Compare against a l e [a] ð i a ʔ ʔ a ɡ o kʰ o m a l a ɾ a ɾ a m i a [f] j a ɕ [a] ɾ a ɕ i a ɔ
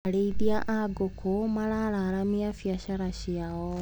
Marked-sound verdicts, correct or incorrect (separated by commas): incorrect, correct, correct